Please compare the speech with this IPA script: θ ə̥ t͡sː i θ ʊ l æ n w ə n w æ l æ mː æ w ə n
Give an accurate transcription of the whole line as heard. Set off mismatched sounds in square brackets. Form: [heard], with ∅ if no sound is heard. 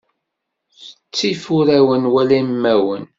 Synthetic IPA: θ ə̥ t͡sː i [f] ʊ [ɾ] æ [∅] w ə n w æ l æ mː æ w ə n